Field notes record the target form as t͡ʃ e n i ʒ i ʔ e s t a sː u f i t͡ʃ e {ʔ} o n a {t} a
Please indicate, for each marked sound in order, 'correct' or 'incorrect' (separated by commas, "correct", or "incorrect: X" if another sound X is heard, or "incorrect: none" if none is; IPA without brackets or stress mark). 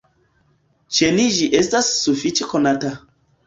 incorrect: k, correct